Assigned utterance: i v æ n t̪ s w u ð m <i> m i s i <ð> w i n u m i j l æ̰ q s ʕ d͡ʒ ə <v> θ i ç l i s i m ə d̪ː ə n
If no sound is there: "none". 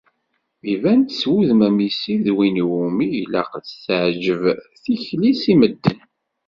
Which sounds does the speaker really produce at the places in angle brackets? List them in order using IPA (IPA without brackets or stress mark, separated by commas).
æ, ð, v